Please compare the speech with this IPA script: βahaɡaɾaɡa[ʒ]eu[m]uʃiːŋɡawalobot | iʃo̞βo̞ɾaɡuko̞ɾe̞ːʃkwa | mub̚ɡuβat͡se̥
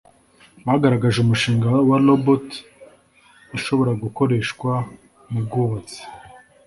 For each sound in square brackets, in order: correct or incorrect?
correct, correct

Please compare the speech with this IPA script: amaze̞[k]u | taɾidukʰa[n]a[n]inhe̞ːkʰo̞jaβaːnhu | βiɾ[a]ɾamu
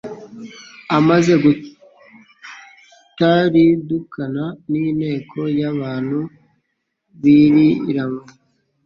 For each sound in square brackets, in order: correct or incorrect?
incorrect, correct, correct, incorrect

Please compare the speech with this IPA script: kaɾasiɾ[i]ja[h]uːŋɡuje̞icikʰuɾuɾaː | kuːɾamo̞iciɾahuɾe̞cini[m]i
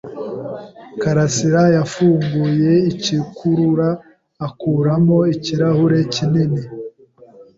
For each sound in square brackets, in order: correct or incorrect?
incorrect, incorrect, incorrect

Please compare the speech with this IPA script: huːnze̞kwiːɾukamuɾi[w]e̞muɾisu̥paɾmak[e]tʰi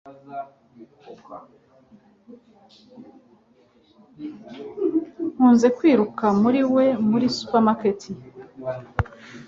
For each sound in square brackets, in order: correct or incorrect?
correct, correct

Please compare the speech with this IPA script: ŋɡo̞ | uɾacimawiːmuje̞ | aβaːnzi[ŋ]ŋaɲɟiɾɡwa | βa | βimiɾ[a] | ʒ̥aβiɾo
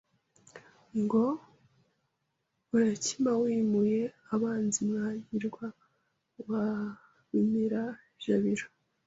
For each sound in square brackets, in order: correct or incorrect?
incorrect, correct

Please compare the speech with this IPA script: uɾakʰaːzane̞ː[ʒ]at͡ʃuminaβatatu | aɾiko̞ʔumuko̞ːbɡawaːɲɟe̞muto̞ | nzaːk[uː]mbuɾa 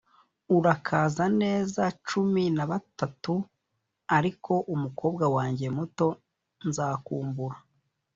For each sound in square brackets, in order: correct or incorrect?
incorrect, correct

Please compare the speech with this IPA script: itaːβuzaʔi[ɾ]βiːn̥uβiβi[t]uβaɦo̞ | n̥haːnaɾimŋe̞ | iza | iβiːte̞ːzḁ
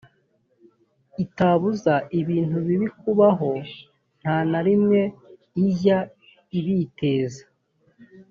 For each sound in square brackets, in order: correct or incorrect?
incorrect, incorrect

